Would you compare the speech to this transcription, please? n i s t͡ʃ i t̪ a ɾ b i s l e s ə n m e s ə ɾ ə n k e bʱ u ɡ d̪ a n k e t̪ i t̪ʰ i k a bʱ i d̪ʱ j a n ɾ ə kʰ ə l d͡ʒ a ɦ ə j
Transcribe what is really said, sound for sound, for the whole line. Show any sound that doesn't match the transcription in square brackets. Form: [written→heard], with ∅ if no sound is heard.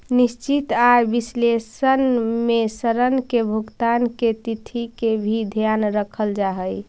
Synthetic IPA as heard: n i s t͡ʃ i t̪ a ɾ b i s l e s ə n m e s ə ɾ ə n k e bʱ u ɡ [d̪→t̪] a n k e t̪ i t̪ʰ i k [a→e] bʱ i d̪ʱ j a n ɾ ə kʰ ə l d͡ʒ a ɦ ə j

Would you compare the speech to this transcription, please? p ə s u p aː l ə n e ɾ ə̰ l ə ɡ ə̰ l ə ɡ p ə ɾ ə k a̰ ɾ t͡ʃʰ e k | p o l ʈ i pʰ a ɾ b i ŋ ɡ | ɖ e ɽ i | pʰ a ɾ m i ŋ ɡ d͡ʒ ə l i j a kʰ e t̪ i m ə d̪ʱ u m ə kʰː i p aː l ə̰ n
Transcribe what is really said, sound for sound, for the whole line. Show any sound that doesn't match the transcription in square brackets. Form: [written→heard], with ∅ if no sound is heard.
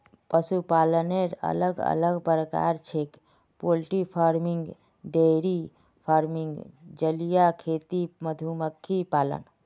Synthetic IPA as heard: p ə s u p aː l ə n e ɾ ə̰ l ə ɡ ə̰ l ə ɡ p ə ɾ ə k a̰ ɾ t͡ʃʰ e k | p o l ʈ i pʰ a ɾ [b→m] i ŋ ɡ | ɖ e [ɽ→ɾ] i | pʰ a ɾ m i ŋ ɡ d͡ʒ ə l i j a kʰ e t̪ i m ə d̪ʱ u m ə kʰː i p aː l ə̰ n

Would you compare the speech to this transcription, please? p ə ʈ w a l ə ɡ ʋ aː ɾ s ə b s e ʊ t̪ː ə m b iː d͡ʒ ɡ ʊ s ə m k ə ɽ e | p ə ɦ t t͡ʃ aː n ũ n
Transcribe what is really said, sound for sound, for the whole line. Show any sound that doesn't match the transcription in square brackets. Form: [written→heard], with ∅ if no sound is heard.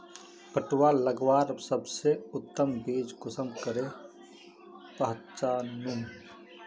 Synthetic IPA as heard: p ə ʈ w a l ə ɡ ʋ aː ɾ s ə b s e ʊ t̪ː ə m b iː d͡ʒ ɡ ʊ s ə m k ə [ɽ→ɾ] e | p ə ɦ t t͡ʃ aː n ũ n

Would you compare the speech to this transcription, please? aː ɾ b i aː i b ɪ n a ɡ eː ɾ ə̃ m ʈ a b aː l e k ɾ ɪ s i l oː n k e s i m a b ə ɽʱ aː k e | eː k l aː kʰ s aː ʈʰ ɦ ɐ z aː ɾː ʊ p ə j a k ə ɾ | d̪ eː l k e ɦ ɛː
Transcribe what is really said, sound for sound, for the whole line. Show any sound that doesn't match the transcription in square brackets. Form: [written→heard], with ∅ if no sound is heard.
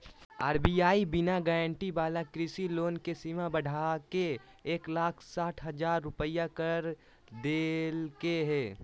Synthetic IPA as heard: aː ɾ b i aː i b ɪ n a ɡ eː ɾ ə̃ [m→ɳ] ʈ [a→i] b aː l [e→a] k ɾ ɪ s i l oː n k e s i m a b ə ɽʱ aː k e | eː k l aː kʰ s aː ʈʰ ɦ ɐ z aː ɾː ʊ p ə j a k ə ɾ | d̪ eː l k e ɦ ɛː

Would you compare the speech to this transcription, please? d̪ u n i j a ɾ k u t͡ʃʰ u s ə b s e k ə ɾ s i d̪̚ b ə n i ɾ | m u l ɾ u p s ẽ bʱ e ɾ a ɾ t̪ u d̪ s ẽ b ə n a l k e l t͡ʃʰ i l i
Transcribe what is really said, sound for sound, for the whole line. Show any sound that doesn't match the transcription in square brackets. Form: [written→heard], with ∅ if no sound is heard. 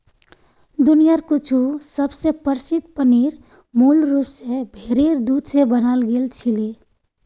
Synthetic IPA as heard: d̪ u n i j a ɾ k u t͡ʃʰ u s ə b s e [k→p] ə ɾ s i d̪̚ [b→p] ə n i ɾ | m u l ɾ u p s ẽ bʱ e ɾ [a→e] ɾ [t̪→d̪] u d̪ s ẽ b ə n a l [k→ɡ] e l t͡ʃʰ i l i

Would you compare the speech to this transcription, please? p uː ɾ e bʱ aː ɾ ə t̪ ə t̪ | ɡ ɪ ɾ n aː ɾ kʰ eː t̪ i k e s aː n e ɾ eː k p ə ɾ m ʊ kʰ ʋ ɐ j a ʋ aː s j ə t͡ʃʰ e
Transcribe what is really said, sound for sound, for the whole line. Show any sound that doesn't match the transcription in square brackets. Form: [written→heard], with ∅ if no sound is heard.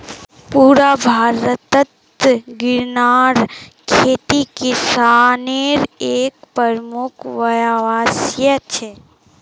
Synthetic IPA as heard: p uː ɾ [e→a] bʱ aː ɾ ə t̪ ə t̪ | ɡ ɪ ɾ n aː ɾ kʰ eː t̪ i k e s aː n e ɾ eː k p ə ɾ m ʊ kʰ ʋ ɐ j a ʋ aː s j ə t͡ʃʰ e

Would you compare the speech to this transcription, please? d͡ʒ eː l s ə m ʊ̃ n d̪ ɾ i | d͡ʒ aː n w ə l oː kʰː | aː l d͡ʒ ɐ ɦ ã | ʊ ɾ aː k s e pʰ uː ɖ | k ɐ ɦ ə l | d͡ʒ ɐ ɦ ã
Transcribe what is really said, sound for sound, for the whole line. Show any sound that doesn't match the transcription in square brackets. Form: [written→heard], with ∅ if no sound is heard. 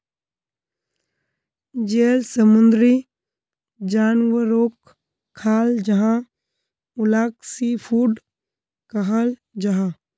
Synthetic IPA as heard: d͡ʒ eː l s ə m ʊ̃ n d̪ ɾ i | d͡ʒ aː n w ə [l→ɾ] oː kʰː | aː l d͡ʒ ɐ ɦ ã | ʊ [ɾ→l] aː k s [e→i] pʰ uː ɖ | k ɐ ɦ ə l | d͡ʒ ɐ ɦ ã

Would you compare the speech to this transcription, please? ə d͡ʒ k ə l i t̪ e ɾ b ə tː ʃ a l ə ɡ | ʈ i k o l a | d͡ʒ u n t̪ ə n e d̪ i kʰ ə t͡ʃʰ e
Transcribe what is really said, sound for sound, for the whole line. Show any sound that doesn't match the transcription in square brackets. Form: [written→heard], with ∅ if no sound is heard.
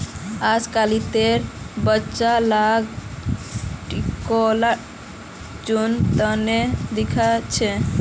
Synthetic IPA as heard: [ə→a] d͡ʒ k [ə→a] l i t̪ e ɾ b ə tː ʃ a l [ə→a] ɡ | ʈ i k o l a | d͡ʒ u n t̪ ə n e d̪ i kʰ [ə→a] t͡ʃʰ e

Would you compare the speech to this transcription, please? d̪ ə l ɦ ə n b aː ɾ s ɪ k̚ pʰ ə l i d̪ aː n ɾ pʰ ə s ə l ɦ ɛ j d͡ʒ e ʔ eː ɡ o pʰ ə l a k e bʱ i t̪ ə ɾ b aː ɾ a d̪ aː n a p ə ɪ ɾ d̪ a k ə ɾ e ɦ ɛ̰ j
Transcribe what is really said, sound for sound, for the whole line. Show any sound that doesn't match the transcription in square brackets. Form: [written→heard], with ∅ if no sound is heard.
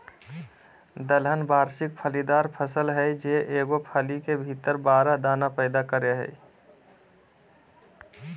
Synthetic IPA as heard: d̪ ə l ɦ ə n b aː ɾ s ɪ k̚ pʰ ə l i d̪ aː [n→∅] ɾ pʰ ə s ə l ɦ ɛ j d͡ʒ e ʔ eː ɡ o pʰ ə l [a→i] k e bʱ i t̪ ə ɾ b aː ɾ a d̪ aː n a p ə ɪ [ɾ→∅] d̪ a k ə ɾ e ɦ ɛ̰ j

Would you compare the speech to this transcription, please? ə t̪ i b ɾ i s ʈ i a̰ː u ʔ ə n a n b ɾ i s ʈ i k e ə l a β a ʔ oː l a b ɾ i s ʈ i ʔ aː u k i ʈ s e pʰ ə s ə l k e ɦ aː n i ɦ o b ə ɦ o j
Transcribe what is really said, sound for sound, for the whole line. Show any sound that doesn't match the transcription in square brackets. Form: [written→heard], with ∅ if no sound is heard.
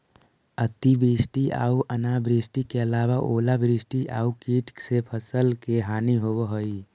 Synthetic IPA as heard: ə t̪ i b ɾ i s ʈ i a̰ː u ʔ ə n a [n→∅] b ɾ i s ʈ i k e ə l a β a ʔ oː l a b ɾ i s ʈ i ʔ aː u k i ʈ s e pʰ ə s ə l k e ɦ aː n i ɦ o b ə ɦ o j

